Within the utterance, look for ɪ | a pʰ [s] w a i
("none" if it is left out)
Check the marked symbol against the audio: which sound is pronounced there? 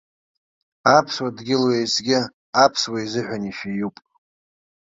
s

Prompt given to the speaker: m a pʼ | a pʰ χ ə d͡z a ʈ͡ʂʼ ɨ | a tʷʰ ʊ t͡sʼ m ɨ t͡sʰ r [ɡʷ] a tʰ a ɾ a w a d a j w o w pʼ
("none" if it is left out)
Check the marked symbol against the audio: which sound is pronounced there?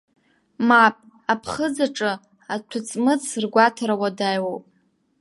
ɡʷ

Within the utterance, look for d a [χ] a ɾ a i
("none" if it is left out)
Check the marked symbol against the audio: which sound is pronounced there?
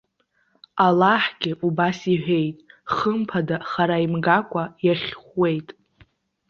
χ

